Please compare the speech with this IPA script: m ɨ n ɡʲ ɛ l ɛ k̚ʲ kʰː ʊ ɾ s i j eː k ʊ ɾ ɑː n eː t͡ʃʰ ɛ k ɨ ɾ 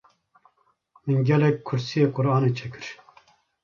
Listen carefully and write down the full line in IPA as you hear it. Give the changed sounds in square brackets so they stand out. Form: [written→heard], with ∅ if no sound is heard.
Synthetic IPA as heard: m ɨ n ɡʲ ɛ l ɛ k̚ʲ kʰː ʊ ɾ s i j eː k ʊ ɾ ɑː n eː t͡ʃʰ ɛ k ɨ ɾ

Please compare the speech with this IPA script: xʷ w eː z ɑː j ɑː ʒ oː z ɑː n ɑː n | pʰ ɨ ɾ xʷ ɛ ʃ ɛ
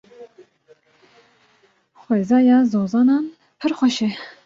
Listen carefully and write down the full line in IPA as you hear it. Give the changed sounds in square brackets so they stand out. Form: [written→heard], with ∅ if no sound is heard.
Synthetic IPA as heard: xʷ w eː z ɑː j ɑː [ʒ→z] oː z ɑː n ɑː n | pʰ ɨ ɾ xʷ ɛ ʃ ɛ

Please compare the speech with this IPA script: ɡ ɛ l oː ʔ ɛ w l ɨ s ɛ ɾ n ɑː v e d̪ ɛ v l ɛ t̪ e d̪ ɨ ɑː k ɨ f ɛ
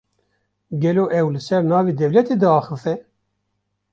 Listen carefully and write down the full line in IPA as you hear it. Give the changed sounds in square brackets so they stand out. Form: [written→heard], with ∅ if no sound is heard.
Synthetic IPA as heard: ɡ ɛ l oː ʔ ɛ w l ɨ s ɛ ɾ n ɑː v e d̪ ɛ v l ɛ t̪ e d̪ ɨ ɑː [k→x] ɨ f ɛ

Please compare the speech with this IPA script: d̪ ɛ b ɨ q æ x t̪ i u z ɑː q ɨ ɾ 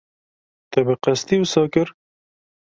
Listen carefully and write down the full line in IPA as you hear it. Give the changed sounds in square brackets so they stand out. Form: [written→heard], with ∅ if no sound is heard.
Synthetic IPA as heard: [d̪→t̪] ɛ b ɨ q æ [x→s] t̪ i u [z→s] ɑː [q→k] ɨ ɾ

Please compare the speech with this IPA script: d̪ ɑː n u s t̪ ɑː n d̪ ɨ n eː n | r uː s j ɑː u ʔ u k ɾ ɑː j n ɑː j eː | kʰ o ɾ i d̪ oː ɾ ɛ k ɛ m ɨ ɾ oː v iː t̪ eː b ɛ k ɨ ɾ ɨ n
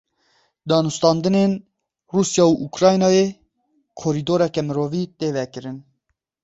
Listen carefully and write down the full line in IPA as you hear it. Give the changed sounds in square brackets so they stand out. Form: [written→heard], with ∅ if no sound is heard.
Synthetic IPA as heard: d̪ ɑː n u s t̪ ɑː n d̪ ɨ n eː n | r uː s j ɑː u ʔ u k ɾ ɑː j n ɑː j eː | kʰ o ɾ i d̪ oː ɾ ɛ k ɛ m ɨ ɾ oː v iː t̪ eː [b→v] ɛ k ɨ ɾ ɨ n

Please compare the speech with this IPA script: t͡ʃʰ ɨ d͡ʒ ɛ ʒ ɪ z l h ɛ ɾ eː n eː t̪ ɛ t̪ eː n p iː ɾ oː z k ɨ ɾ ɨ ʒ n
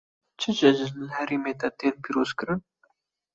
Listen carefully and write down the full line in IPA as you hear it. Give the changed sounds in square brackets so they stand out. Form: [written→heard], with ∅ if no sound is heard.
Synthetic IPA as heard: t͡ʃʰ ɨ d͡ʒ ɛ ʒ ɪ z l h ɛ ɾ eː [n→m] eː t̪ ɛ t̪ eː n p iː ɾ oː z k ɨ ɾ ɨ [ʒ→∅] n

